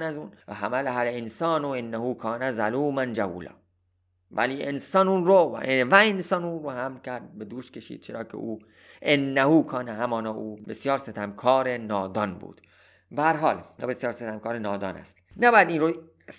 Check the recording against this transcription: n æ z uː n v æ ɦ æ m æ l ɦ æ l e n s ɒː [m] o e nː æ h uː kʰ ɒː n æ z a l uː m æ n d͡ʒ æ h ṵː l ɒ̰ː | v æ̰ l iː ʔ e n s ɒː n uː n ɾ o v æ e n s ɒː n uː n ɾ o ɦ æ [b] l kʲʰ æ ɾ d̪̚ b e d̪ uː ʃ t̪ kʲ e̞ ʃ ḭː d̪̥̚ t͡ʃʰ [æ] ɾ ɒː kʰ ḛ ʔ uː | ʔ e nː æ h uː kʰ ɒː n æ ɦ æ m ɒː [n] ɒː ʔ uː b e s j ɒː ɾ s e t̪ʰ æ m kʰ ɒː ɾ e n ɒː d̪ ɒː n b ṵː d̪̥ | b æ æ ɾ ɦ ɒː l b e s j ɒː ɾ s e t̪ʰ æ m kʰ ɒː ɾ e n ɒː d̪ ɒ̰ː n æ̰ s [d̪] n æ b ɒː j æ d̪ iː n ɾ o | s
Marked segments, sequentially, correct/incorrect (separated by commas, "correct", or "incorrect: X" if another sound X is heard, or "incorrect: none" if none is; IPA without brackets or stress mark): incorrect: n, incorrect: m, incorrect: e, correct, incorrect: t̪